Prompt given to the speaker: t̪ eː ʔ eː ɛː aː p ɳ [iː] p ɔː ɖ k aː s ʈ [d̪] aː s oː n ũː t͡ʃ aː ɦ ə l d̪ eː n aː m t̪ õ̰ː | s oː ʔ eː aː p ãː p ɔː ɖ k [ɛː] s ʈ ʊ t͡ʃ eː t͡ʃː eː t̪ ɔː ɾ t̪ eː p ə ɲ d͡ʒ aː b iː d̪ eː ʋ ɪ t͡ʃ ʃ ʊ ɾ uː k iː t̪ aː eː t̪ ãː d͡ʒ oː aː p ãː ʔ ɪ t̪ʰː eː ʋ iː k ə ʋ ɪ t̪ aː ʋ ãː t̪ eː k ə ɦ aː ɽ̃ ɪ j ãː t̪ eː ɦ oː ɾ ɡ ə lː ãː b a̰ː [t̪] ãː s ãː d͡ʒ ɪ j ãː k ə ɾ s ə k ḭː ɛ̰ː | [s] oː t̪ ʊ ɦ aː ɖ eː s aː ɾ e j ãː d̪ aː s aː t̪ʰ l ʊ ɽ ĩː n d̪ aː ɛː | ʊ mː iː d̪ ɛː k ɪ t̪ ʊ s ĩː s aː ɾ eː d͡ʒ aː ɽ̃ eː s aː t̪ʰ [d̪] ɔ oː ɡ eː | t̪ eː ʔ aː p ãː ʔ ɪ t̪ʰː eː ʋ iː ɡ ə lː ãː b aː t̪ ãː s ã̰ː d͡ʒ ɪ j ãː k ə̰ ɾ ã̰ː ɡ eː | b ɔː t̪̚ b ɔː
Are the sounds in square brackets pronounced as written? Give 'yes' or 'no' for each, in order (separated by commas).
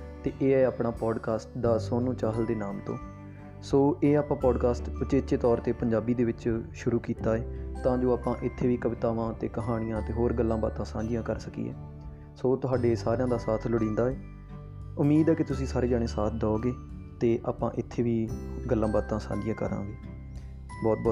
no, yes, no, yes, yes, yes